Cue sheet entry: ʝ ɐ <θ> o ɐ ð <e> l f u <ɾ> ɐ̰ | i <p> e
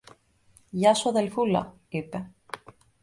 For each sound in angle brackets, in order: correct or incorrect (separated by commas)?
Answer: incorrect, correct, incorrect, correct